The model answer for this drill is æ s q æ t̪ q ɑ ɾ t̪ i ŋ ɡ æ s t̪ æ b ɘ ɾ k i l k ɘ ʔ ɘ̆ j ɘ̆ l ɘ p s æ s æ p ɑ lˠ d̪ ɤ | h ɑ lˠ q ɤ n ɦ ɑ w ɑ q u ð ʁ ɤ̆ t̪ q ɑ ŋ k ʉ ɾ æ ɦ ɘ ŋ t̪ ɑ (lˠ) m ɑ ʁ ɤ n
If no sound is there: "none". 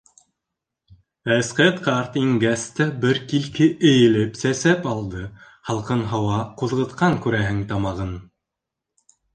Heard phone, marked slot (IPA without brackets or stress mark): none